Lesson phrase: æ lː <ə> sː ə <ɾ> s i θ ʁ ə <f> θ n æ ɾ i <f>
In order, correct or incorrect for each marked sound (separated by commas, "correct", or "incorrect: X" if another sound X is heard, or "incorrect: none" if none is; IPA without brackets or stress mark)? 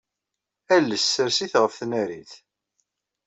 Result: correct, correct, correct, incorrect: θ